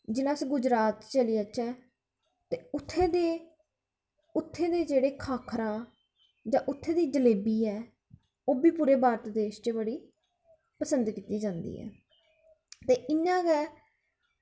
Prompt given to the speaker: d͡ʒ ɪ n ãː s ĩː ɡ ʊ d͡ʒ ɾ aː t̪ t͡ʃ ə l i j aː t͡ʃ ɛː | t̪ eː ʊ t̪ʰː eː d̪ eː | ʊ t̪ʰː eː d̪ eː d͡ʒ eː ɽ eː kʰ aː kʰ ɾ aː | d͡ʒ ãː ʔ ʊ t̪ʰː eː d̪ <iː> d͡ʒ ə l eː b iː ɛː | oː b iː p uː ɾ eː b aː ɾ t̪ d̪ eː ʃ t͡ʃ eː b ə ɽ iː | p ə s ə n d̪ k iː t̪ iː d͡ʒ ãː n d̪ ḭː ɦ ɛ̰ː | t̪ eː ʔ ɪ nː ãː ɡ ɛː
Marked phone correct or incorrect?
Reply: correct